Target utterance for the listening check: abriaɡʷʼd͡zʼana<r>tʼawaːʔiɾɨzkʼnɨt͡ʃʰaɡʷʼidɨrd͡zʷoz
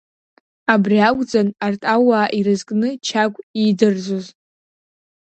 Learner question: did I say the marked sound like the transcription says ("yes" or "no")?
yes